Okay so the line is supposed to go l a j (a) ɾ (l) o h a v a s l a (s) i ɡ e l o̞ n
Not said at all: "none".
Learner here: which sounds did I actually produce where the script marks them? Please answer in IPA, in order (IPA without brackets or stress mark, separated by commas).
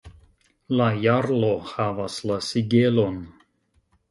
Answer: a, l, s